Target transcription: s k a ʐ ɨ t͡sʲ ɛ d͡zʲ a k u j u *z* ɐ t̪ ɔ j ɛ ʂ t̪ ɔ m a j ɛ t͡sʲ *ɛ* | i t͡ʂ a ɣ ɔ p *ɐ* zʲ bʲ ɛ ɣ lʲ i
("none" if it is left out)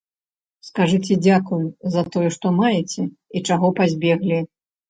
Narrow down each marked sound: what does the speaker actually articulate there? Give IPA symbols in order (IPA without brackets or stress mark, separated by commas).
z, ɛ, a